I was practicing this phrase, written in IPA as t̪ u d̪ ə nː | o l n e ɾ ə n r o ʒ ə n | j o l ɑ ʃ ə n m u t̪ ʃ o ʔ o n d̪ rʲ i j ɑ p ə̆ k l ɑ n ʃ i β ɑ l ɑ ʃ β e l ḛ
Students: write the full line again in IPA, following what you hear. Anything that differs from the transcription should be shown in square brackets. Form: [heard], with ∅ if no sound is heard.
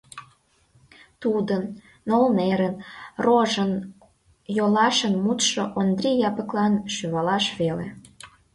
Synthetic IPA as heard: t̪ u d̪ ə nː | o l n e ɾ ə n r o ʒ ə n | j o l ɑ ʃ ə n m u t̪ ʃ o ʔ o n d̪ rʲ i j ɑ p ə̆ k l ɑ n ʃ [y] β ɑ l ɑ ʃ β e l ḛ